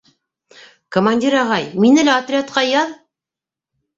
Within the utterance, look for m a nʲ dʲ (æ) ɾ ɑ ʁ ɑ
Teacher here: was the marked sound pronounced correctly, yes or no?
no